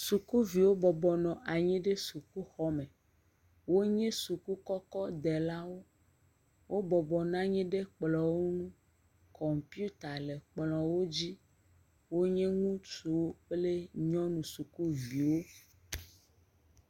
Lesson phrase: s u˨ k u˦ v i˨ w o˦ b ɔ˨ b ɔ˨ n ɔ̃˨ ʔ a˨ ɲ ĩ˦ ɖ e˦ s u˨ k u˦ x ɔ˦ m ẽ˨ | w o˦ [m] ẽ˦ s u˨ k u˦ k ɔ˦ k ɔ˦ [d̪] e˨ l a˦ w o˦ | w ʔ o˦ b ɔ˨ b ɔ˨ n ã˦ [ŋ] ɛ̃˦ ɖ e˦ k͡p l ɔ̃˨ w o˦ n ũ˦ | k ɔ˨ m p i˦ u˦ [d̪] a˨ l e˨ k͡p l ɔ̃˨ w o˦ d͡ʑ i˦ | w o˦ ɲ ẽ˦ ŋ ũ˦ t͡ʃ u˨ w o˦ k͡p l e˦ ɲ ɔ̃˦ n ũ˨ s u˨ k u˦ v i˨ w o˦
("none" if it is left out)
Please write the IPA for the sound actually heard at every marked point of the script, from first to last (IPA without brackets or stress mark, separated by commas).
ɲ, d̪, ɲ, t̪